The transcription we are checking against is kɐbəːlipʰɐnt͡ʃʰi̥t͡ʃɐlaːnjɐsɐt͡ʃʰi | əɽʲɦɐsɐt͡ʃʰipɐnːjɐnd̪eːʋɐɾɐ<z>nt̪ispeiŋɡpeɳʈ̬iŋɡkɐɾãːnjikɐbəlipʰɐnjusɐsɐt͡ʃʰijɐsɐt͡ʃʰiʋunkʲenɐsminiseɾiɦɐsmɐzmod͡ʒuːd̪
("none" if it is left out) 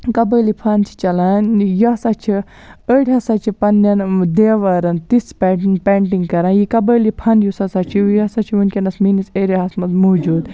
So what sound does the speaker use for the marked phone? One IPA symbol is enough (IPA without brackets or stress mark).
none